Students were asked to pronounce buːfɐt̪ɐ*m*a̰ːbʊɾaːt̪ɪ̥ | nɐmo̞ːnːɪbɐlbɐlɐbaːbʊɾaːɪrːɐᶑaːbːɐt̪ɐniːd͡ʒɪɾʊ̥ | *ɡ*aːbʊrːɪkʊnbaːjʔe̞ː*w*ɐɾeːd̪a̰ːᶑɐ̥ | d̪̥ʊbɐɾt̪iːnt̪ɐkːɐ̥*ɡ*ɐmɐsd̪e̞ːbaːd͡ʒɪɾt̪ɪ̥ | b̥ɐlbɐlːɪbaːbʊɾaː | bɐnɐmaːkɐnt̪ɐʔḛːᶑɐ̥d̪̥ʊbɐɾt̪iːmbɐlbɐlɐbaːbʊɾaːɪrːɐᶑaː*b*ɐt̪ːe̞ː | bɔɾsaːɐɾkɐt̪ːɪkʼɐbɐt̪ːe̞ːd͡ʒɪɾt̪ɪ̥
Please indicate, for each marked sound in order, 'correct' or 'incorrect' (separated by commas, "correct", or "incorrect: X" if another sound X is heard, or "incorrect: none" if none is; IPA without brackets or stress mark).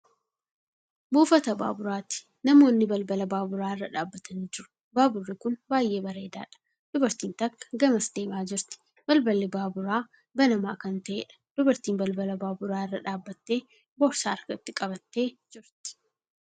incorrect: b, incorrect: b, incorrect: b, correct, incorrect: bː